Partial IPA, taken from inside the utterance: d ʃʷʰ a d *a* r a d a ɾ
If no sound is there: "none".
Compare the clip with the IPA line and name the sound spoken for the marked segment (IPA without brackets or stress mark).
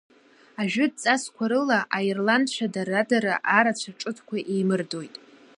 a